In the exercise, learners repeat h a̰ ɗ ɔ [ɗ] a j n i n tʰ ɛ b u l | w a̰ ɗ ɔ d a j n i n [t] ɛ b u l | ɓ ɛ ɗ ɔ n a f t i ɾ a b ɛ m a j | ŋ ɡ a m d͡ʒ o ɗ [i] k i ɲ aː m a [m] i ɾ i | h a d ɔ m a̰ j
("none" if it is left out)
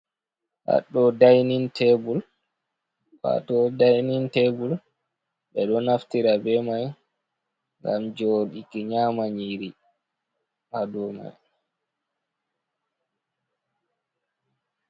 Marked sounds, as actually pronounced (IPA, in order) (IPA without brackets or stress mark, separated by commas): d, t, i, ɲ